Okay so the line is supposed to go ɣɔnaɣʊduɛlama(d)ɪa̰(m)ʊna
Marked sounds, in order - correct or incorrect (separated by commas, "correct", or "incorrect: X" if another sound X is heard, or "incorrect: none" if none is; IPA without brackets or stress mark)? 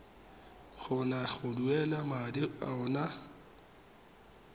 correct, incorrect: none